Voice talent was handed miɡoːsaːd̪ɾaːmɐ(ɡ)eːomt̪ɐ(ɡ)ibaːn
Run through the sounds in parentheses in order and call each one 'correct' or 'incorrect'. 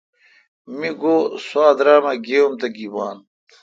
correct, correct

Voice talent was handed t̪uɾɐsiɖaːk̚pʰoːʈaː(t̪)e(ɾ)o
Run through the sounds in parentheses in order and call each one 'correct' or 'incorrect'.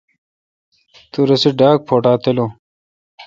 correct, incorrect

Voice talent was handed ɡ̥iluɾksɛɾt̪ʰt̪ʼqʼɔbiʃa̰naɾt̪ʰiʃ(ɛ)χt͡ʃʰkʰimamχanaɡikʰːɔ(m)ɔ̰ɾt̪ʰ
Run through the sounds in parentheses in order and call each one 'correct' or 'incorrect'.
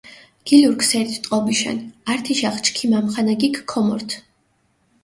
incorrect, correct

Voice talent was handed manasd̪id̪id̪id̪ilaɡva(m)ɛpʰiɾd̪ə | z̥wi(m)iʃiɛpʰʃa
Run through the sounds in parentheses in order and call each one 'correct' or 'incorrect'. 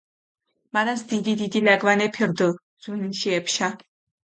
incorrect, incorrect

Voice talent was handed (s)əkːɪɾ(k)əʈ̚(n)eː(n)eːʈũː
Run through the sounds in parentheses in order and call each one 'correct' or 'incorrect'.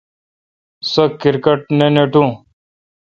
correct, correct, correct, correct

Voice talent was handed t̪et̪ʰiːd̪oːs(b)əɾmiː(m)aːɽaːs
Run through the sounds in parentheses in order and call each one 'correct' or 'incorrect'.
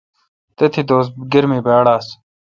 incorrect, incorrect

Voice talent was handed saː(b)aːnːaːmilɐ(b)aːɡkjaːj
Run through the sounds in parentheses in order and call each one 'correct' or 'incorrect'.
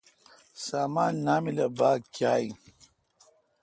incorrect, correct

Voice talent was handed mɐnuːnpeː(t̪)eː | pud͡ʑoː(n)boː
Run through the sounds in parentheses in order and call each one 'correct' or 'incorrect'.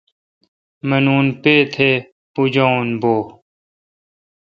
incorrect, correct

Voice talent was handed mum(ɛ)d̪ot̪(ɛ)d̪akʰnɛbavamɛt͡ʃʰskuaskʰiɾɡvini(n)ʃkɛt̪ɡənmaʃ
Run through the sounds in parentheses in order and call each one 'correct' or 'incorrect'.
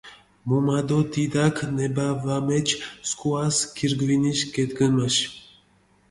incorrect, incorrect, incorrect

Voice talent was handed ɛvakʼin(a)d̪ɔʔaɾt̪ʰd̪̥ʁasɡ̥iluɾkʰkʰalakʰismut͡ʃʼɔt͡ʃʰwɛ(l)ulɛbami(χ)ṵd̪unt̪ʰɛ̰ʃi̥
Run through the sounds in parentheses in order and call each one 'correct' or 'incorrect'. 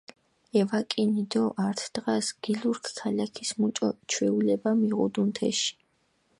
incorrect, incorrect, incorrect

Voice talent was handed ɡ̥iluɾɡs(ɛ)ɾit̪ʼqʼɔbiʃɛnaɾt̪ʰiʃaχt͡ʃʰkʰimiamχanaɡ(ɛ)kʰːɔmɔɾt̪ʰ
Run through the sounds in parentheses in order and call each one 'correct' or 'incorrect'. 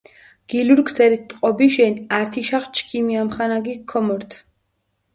correct, incorrect

